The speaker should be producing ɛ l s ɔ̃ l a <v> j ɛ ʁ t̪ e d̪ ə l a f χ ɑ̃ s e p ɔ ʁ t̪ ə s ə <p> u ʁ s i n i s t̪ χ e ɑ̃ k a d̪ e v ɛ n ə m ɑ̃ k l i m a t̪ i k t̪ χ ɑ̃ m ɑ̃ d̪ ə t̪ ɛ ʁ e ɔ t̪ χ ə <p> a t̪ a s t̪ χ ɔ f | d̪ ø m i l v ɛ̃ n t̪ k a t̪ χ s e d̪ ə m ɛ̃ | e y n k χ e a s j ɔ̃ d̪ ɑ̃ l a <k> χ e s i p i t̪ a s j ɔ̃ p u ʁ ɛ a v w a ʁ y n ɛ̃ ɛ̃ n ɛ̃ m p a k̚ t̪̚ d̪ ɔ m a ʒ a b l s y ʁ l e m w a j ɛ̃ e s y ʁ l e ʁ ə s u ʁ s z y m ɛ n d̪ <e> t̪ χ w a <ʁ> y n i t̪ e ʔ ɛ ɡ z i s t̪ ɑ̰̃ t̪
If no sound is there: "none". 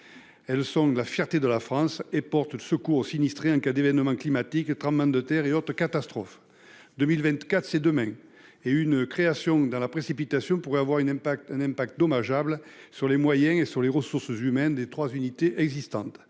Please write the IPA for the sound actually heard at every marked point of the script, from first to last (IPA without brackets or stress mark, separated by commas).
f, k, k, p, e, z